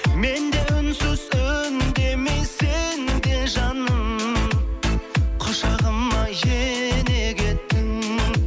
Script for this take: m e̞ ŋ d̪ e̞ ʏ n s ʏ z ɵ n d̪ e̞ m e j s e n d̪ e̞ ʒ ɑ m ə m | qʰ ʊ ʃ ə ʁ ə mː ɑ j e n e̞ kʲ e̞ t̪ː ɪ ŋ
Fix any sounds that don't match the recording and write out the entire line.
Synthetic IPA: m e̞ n d̪ e̞ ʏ n s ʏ z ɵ n d̪ e̞ m e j s e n d̪ e̞ ʒ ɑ n ə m | qʰ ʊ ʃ ɑ ʁ ə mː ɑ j e n e̞ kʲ e̞ t̪ː ɪ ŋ